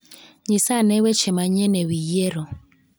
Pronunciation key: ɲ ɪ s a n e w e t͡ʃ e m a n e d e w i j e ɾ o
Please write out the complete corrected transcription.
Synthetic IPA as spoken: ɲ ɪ s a n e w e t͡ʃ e m a ɲ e n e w i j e ɾ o